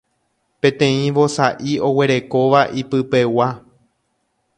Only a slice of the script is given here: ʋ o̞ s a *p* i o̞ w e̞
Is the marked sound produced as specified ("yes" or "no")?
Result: no